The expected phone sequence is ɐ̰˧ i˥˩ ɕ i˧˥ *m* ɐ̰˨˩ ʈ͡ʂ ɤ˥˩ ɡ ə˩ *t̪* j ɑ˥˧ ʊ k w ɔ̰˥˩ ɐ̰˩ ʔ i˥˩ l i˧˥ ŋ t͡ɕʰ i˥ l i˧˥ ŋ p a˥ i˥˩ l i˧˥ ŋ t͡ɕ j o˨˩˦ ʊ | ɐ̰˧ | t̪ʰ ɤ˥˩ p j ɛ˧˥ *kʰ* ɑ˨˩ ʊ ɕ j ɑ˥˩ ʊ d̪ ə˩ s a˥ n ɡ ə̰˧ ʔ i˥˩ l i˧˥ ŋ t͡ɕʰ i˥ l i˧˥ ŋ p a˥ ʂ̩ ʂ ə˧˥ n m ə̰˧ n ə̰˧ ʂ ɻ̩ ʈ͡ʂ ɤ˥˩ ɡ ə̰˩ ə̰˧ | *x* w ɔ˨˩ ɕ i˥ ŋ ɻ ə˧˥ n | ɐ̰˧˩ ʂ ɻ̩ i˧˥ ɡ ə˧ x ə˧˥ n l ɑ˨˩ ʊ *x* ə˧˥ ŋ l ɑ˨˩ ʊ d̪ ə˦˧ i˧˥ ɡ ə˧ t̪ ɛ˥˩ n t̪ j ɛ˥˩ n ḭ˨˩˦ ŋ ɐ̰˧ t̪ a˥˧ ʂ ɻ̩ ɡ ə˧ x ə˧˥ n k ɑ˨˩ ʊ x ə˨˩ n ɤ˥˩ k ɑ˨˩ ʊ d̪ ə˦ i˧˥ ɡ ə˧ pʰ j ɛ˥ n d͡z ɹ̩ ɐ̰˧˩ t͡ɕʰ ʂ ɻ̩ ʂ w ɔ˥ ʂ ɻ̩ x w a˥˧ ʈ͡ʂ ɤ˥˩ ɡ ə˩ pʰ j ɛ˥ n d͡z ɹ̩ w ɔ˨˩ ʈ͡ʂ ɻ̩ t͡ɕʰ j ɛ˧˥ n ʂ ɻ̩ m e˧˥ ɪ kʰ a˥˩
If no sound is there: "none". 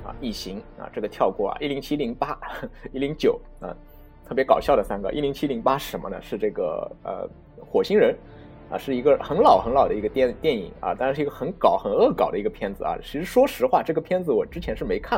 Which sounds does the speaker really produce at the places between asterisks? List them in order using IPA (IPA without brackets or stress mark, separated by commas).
ŋ, t̪ʰ, k, x, x